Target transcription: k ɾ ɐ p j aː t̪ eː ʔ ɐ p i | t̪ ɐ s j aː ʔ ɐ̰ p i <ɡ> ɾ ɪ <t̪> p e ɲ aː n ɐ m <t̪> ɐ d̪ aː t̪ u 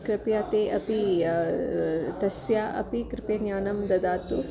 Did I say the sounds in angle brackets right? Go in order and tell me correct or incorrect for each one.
incorrect: k, incorrect: none, incorrect: d̪

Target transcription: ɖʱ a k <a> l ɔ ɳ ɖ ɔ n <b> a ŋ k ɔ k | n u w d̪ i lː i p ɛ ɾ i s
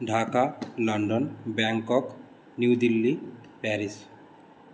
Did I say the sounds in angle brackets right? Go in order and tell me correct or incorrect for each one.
correct, correct

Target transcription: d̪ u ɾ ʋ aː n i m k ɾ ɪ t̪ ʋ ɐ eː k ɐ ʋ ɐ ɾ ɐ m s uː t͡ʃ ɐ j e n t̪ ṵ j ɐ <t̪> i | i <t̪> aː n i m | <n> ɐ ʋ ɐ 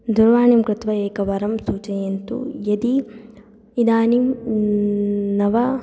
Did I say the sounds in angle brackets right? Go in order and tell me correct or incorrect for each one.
incorrect: d̪, incorrect: d̪, correct

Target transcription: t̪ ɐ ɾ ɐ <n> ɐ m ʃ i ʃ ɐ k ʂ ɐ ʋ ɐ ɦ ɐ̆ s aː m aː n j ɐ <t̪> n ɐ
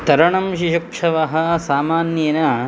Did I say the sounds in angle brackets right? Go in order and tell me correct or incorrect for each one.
incorrect: ɳ, incorrect: none

